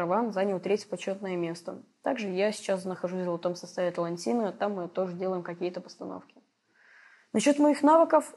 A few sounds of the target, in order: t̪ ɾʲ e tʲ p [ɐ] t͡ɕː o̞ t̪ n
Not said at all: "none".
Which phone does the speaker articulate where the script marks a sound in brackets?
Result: ɐ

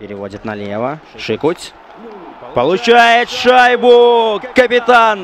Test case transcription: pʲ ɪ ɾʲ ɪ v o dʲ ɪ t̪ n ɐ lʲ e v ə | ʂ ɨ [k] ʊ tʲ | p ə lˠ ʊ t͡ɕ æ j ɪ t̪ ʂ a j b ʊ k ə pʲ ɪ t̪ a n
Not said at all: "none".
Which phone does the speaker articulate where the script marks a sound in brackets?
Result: k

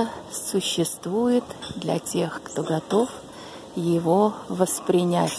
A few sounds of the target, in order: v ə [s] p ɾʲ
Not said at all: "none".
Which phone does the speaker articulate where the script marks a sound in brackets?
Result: s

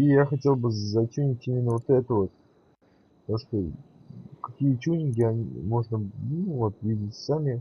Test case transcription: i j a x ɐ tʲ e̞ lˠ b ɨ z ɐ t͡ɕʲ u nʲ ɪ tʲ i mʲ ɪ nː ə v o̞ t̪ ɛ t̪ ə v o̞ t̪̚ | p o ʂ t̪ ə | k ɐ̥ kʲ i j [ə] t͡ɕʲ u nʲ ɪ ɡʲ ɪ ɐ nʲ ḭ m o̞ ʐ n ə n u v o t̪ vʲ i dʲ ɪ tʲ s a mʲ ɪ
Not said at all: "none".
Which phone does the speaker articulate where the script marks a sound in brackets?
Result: ə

